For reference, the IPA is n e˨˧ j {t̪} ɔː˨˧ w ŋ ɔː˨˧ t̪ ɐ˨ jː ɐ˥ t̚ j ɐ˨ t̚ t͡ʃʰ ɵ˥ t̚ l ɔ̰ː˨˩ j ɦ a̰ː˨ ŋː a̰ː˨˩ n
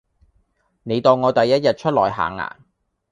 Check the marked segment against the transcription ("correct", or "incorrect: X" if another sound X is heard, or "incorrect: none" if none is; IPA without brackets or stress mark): correct